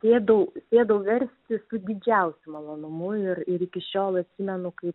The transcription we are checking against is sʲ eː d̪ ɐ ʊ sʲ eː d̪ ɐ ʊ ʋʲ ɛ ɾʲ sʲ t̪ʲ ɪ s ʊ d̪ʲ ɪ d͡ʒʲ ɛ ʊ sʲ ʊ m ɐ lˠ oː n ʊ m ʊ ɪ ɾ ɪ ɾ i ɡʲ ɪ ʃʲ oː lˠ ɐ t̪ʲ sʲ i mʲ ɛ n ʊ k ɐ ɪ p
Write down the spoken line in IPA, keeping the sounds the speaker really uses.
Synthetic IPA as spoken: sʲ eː d̪ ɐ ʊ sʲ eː d̪ ɐ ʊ ʋʲ ɛ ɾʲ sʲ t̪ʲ ɪ s ʊ d̪ʲ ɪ d͡ʒʲ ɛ ʊ sʲ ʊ m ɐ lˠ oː n ʊ m ʊ ɪ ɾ ɪ ɾ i kʲ ɪ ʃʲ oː lˠ ɐ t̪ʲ sʲ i mʲ ɛ n ʊ k ɐ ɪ p